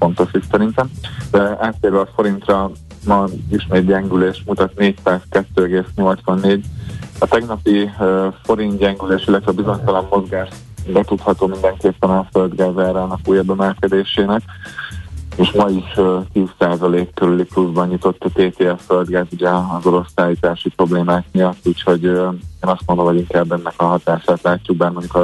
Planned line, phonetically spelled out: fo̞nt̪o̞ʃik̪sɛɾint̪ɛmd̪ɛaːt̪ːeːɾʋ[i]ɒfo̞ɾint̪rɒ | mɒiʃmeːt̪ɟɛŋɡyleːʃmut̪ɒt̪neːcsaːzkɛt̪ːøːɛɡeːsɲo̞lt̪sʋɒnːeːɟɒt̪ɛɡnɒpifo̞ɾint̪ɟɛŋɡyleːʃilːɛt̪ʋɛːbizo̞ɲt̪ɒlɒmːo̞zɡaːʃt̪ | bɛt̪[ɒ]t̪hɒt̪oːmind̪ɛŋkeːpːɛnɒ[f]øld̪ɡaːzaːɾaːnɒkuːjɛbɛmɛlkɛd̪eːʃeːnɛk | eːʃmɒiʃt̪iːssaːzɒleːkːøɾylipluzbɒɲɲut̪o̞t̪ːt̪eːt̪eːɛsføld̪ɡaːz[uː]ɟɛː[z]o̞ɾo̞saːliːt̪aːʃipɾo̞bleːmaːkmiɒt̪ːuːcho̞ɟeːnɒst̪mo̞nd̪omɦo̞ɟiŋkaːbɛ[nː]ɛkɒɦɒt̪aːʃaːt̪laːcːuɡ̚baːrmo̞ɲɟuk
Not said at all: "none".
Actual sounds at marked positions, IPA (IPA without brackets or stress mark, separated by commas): ɛ, u, f, u, z, nː